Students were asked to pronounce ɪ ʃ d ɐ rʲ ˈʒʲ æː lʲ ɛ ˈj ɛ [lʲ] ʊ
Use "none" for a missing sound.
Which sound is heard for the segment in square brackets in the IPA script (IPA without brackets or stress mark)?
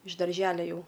none